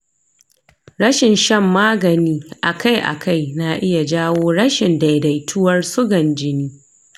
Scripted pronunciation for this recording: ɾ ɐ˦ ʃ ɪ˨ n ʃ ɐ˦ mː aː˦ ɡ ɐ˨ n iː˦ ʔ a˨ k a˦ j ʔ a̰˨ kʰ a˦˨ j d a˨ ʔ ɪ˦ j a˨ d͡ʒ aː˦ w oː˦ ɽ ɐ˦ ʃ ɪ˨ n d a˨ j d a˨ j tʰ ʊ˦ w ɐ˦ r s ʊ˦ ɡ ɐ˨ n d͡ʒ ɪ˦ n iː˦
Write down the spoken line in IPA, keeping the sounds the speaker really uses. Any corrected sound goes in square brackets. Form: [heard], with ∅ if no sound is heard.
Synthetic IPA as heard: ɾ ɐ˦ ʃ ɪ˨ n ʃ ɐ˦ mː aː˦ ɡ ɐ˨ n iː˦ ʔ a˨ k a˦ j ʔ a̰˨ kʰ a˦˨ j [n] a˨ ʔ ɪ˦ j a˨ d͡ʒ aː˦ w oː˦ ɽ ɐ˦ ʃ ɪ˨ n d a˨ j d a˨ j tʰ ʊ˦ w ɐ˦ r s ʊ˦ ɡ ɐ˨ n d͡ʒ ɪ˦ n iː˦